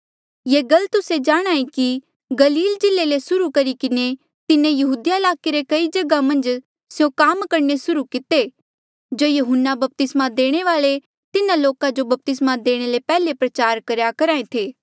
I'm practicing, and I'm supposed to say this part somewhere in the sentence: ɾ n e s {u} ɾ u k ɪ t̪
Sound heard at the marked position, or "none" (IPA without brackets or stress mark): ʊ